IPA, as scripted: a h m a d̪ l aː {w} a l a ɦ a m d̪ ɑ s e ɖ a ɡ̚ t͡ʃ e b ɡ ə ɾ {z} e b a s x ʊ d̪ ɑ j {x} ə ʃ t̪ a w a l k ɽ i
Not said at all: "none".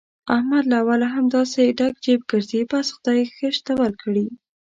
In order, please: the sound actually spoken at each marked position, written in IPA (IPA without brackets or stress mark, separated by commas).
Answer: w, z, x